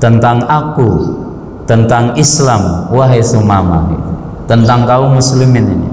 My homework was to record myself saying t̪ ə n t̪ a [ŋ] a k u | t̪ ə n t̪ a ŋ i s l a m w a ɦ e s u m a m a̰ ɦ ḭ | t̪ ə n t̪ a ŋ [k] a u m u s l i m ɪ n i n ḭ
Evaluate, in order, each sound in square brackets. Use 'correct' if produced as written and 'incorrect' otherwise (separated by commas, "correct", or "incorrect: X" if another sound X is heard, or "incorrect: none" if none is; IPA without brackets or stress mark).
correct, correct